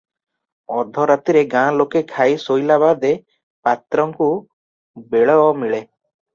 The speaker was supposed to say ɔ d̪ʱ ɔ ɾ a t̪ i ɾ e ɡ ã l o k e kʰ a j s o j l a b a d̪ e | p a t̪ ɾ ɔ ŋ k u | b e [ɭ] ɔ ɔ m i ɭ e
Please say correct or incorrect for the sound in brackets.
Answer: correct